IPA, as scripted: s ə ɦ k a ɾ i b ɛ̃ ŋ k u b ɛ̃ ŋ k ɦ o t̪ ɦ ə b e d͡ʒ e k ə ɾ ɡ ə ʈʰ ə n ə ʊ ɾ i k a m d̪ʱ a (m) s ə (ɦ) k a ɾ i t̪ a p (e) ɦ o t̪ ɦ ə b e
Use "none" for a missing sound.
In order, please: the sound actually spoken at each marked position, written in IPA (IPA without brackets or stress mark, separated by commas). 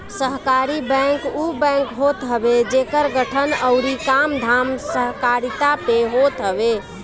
m, ɦ, e